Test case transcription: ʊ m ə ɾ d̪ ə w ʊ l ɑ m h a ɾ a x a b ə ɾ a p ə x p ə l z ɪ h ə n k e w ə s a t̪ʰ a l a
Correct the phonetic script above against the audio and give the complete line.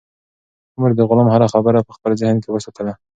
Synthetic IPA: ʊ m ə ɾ d̪ ə ɣ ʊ l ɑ m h a ɾ a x a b ə ɾ a p ə x p ə l z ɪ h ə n k e w ə s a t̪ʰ ə l a